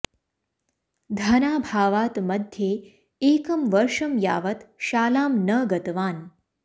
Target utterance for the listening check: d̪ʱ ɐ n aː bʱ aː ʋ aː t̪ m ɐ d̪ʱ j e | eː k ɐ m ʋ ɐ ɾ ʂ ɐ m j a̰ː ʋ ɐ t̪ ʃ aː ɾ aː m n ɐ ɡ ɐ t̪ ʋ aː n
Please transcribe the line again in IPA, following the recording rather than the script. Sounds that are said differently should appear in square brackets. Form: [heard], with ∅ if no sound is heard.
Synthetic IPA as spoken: d̪ʱ ɐ n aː bʱ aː ʋ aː t̪ m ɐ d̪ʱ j e | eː k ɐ m ʋ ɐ ɾ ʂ ɐ m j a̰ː ʋ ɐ t̪ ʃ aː [l] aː m n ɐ ɡ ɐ t̪ ʋ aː n

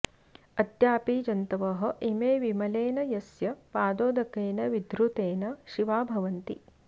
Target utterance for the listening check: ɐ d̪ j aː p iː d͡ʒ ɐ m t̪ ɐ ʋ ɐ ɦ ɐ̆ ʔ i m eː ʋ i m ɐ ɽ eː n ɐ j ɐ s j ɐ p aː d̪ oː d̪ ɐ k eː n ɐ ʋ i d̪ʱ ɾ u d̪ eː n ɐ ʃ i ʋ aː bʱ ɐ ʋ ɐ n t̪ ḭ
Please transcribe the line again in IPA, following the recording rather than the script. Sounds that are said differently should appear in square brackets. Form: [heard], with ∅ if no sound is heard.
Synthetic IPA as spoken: ɐ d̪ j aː p iː d͡ʒ ɐ [n] t̪ ɐ ʋ ɐ ɦ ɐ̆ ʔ i m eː ʋ i m ɐ [l] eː n ɐ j ɐ s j ɐ p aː d̪ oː d̪ ɐ k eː n ɐ ʋ i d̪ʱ ɾ u [t̪] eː n ɐ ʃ i ʋ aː bʱ ɐ ʋ ɐ n t̪ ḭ

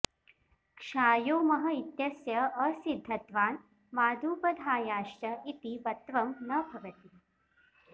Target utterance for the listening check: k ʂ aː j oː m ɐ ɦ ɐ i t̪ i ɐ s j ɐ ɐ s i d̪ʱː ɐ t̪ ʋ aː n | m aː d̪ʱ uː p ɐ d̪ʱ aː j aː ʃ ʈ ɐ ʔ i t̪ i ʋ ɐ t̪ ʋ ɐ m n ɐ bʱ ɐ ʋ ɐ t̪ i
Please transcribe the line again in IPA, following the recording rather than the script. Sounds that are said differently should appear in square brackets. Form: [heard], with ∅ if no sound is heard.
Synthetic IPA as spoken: k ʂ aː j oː m ɐ ɦ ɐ i t̪ [j] ɐ s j ɐ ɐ s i d̪ʱː ɐ t̪ ʋ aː n | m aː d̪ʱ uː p ɐ d̪ʱ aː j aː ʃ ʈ ɐ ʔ i t̪ i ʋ ɐ t̪ ʋ ɐ m n ɐ bʱ ɐ ʋ ɐ t̪ i

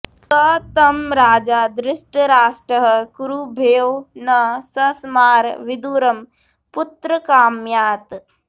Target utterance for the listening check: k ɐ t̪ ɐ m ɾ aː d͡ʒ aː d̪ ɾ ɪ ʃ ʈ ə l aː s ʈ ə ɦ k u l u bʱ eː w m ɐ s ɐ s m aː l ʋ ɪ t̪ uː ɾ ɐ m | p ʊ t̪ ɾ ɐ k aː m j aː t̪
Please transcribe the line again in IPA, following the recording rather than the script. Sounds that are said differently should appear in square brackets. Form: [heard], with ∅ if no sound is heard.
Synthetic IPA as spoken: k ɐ t̪ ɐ m ɾ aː d͡ʒ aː d̪ ɾ ɪ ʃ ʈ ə [ɾ] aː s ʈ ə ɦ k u [ɾ] u bʱ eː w [n] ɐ s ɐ s m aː [ɾ] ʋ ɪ [d̪] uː ɾ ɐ m | p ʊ t̪ ɾ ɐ k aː m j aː t̪

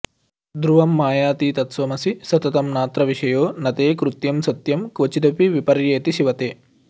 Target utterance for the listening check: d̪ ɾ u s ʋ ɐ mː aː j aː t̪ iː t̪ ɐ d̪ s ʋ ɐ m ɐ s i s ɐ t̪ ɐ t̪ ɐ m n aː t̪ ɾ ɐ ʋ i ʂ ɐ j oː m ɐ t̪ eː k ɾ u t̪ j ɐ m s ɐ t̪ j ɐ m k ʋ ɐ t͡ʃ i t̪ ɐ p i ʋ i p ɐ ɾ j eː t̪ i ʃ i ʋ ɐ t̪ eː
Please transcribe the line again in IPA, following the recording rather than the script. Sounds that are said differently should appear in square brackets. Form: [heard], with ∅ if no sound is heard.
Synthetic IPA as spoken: d̪ ɾ u [∅] ʋ ɐ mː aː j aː t̪ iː t̪ ɐ [t̪] s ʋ ɐ m ɐ s i s ɐ t̪ ɐ t̪ ɐ m n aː t̪ ɾ ɐ ʋ i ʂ ɐ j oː [n] ɐ t̪ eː k ɾ u t̪ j ɐ m s ɐ t̪ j ɐ m k ʋ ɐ t͡ʃ i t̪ ɐ p i ʋ i p ɐ ɾ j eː t̪ i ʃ i ʋ ɐ t̪ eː

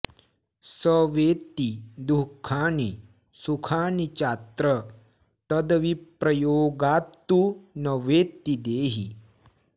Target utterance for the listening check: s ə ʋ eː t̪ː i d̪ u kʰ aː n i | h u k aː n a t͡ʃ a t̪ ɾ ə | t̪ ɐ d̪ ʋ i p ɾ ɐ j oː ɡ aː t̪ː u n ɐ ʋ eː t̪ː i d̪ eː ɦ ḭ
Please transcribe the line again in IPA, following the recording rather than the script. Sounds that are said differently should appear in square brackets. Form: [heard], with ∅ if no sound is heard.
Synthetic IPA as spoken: s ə ʋ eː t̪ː i d̪ u kʰ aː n i | [s] u [kʰ] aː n [i] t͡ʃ a t̪ ɾ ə | t̪ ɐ d̪ ʋ i p ɾ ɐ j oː ɡ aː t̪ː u n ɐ ʋ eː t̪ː i d̪ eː ɦ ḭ

